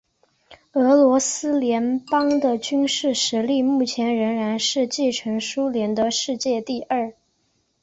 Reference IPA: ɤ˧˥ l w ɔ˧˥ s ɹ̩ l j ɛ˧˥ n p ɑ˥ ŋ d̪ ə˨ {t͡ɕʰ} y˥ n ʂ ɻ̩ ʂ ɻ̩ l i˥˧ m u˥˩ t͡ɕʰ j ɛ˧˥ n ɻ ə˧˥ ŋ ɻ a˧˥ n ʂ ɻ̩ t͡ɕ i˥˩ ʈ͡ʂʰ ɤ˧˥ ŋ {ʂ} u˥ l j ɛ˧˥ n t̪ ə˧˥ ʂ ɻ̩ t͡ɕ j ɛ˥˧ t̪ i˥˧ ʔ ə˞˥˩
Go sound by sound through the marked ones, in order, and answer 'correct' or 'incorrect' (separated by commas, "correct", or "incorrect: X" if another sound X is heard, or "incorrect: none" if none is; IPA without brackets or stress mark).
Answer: incorrect: t͡ɕ, correct